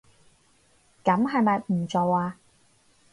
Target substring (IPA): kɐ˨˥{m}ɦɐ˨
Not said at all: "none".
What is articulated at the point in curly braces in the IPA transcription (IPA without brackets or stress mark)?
m